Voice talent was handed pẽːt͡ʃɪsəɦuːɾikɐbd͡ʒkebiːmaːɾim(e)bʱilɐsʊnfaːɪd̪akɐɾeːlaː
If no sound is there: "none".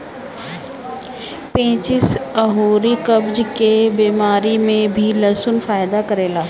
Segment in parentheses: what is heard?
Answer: ẽ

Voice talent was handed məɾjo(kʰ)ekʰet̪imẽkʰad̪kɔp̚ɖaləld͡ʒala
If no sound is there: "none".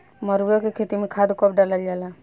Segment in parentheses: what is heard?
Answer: k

